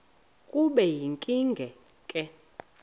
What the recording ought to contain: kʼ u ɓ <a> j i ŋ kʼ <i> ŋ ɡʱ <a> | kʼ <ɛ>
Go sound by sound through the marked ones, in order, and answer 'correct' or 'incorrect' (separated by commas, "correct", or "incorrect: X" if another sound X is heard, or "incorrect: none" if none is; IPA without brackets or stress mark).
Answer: incorrect: ɛ, correct, incorrect: ɛ, correct